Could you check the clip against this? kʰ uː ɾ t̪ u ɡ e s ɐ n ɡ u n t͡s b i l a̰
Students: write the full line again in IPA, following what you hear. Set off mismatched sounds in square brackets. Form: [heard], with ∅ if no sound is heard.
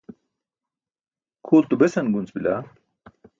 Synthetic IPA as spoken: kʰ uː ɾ t̪ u [b] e s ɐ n ɡ u n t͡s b i l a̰

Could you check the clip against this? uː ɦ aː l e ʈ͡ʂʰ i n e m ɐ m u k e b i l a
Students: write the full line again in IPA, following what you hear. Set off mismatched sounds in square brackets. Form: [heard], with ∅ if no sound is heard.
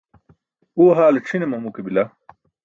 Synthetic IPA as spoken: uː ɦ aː l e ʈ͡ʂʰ i n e m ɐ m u k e b i l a

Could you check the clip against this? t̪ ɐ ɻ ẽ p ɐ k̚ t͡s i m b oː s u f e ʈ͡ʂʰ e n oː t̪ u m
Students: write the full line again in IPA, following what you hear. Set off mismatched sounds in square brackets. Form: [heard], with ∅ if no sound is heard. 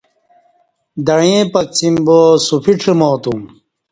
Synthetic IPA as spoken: [d̪] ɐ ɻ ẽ p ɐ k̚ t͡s i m b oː s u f [i] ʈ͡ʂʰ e [m] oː t̪ u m

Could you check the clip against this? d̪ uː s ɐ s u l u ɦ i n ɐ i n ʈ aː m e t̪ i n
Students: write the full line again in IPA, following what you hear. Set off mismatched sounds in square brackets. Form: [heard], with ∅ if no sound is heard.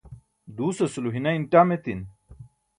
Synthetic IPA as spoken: d̪ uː s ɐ s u l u ɦ i n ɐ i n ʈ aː m e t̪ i n

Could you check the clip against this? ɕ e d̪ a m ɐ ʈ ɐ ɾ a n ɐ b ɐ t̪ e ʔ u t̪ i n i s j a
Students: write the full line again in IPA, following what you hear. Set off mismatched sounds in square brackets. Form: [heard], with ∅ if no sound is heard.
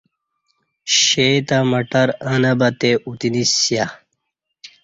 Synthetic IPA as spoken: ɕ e [t̪] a m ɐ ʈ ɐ ɾ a n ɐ b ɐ t̪ e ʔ u t̪ i n i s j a

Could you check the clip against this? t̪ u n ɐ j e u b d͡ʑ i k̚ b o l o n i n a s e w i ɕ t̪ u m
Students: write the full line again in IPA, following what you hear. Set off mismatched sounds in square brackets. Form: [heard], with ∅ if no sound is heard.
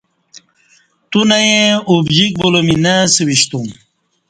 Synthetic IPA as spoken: t̪ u n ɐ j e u b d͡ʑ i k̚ b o l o [m] i n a s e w i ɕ t̪ u m

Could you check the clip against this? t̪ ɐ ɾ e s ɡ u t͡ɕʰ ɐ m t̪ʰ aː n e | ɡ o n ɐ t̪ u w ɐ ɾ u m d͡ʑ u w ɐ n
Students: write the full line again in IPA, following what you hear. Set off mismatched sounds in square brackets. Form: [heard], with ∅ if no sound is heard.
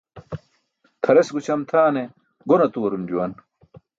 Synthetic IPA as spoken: [t̪ʰ] ɐ ɾ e s ɡ u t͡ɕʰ ɐ m t̪ʰ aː n e | ɡ o n ɐ t̪ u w ɐ ɾ u m d͡ʑ u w ɐ n

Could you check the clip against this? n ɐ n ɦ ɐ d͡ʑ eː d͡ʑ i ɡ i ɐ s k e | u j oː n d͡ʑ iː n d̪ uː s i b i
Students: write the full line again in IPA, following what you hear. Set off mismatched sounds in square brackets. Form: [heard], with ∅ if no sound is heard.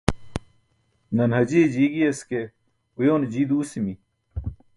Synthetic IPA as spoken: n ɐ n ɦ ɐ d͡ʑ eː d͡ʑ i ɡ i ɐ s k e | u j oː n d͡ʑ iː [∅] d̪ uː s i [m] i

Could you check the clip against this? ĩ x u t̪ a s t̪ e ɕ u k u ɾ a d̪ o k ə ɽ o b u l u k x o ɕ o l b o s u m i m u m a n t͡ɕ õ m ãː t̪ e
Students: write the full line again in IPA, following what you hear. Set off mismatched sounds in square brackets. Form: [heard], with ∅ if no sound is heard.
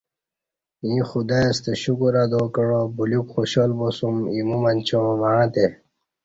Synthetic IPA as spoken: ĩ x u [d̪] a s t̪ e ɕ u k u ɾ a d̪ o k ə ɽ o b u l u k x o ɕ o l b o s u m i m u m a n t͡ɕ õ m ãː t̪ e

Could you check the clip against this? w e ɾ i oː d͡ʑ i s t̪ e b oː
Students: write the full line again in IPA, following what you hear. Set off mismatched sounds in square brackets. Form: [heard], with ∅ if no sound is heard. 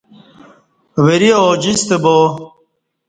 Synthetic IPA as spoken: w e ɾ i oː d͡ʑ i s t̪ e b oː

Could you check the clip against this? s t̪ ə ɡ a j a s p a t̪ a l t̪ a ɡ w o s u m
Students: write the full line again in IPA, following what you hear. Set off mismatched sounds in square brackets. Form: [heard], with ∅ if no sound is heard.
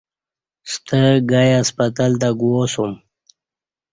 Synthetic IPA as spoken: s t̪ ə ɡ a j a s p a t̪ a l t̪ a ɡ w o s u m

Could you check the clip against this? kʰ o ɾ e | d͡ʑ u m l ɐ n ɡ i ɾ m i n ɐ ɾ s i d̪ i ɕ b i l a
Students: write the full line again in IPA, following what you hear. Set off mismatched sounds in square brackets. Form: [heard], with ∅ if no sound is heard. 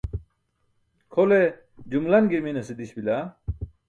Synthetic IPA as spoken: kʰ o [l] e | d͡ʑ u m l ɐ n ɡ i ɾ m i n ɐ [∅] s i d̪ i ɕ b i l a

